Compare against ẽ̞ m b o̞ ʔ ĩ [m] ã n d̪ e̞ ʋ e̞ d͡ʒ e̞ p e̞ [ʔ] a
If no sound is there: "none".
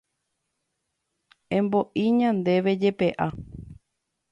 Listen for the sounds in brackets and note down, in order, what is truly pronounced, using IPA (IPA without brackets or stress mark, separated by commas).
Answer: ɲ, ʔ